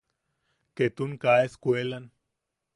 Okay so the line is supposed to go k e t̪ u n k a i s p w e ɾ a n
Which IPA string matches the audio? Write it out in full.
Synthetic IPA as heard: k e t̪ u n k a e s k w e l a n

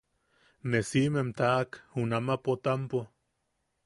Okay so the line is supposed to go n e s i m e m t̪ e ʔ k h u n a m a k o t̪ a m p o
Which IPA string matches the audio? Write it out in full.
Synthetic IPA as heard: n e s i m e m t̪ a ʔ k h u n a m a p o t̪ a m p o

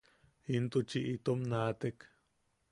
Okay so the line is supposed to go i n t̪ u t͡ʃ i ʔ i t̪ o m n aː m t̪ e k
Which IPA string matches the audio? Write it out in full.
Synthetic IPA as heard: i n t̪ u t͡ʃ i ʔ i t̪ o m n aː t̪ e k

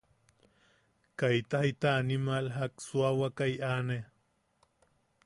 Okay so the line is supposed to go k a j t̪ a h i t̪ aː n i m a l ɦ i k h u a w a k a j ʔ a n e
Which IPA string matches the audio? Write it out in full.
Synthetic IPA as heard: k a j t̪ a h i t̪ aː n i m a l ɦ a k s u a w a k a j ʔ a n e

